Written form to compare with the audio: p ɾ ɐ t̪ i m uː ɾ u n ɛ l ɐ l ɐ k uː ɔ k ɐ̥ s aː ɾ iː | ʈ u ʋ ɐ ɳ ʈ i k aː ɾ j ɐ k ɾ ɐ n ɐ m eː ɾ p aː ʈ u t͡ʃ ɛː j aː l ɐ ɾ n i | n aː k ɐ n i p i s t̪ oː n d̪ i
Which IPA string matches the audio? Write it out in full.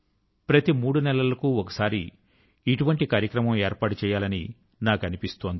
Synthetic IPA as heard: p ɾ ɐ t̪ i m uː ɽ u n ɛ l ɐ l ɐ k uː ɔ k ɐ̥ s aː ɾ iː | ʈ u ʋ ɐ ɳ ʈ i k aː ɾ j ɐ k ɾ ɐ m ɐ m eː ɾ p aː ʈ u t͡ʃ ɛː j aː l ɐ n i | n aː k ɐ n i p i s t̪ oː n d̪ i